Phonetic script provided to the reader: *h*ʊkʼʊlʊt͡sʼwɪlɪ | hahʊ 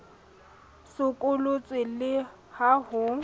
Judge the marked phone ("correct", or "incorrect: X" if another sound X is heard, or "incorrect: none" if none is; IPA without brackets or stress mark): incorrect: s